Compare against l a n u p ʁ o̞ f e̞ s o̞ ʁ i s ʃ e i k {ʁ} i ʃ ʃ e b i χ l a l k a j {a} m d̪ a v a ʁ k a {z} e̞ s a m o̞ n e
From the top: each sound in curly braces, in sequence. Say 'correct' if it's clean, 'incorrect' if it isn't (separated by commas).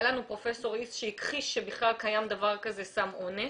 incorrect, correct, correct